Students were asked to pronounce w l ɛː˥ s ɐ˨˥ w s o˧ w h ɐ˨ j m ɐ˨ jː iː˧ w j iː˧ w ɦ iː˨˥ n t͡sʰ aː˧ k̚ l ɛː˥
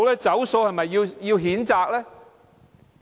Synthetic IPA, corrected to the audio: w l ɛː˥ t͡s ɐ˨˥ w s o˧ w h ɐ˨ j m ɐ˨ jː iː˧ w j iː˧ w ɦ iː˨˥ n t͡s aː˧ k̚ l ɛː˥